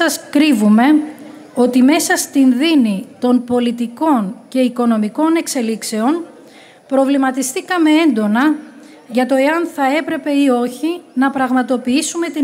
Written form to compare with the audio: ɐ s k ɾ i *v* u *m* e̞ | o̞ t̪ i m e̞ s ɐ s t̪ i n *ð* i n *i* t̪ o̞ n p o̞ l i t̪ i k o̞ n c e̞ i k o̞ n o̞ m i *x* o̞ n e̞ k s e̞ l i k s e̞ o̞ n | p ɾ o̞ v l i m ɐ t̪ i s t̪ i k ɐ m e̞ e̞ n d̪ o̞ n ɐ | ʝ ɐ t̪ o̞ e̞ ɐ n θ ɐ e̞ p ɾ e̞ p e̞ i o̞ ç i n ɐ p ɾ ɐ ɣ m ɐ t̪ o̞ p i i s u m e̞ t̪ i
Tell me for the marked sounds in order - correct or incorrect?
correct, correct, correct, correct, incorrect: k

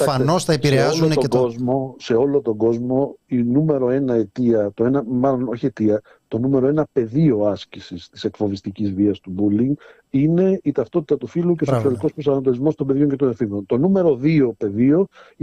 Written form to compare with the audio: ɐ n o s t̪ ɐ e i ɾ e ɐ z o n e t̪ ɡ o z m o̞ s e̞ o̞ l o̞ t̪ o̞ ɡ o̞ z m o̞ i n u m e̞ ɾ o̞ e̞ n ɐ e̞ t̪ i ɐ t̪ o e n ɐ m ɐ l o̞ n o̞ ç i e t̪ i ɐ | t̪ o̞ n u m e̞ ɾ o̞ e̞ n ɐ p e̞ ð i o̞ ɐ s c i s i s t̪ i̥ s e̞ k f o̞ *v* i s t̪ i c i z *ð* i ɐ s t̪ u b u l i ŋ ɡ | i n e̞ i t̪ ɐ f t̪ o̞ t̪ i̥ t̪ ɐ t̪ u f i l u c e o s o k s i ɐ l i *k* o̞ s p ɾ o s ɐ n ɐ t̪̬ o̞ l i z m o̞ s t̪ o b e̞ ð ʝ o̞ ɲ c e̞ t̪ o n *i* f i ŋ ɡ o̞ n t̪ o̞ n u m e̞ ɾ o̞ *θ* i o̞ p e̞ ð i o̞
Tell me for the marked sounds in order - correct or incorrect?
correct, incorrect: v, correct, incorrect: e, incorrect: ð

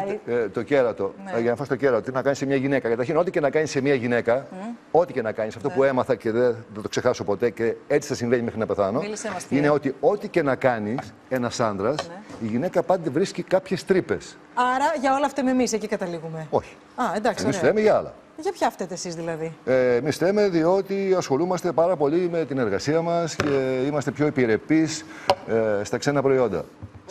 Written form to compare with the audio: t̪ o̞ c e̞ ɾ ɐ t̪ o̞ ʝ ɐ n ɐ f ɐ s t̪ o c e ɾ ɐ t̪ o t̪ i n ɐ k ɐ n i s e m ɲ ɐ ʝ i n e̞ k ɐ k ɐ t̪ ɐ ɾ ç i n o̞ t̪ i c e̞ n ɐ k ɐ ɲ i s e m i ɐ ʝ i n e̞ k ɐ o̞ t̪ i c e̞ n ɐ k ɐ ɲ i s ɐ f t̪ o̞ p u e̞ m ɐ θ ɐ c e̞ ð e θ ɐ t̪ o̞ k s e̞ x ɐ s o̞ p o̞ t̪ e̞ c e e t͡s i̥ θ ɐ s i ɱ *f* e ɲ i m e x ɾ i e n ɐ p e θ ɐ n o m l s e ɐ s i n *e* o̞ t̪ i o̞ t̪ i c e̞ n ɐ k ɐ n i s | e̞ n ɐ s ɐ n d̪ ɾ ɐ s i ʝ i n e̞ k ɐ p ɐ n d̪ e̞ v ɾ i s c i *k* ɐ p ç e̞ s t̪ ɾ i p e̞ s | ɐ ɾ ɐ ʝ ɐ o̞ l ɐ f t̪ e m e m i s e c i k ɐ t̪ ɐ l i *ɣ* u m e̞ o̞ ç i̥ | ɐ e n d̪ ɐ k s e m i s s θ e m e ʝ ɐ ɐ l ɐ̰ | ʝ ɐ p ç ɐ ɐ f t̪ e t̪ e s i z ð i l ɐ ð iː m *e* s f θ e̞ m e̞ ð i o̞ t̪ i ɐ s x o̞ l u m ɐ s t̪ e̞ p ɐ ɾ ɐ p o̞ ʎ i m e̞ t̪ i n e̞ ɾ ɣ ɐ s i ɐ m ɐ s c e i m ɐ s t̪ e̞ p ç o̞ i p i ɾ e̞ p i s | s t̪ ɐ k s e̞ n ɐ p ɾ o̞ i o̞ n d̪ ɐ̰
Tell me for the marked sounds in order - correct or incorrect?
incorrect: v, correct, correct, correct, incorrect: i

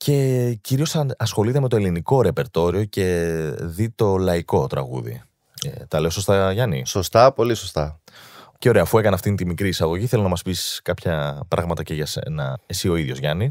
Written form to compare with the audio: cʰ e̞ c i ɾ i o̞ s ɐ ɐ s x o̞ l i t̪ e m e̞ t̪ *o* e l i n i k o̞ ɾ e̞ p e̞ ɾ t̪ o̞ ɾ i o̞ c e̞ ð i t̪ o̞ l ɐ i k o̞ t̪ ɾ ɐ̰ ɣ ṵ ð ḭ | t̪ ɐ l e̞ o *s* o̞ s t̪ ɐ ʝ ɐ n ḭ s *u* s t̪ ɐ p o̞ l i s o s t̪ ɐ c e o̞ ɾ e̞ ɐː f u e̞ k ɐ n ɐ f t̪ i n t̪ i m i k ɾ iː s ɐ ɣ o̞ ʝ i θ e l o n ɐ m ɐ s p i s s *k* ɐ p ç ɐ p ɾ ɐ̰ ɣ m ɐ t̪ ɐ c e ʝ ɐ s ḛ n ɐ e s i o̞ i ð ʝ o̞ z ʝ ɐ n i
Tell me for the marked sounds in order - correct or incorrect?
correct, correct, incorrect: o, correct

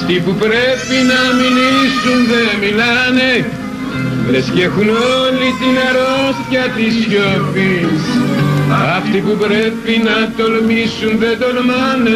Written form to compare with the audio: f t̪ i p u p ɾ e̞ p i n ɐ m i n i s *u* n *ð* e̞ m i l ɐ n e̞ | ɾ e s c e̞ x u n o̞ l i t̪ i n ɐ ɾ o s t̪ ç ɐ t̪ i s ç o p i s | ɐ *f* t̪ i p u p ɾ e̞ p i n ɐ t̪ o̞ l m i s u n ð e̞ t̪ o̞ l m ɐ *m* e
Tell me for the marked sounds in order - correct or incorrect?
correct, correct, correct, incorrect: n

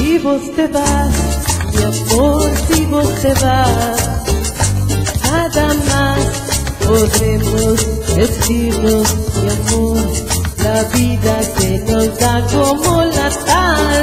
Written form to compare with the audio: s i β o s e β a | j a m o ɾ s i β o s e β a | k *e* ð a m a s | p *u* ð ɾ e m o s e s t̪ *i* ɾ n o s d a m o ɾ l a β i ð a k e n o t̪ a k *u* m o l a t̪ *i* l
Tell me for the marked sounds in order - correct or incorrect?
incorrect: a, incorrect: o, correct, incorrect: o, incorrect: a

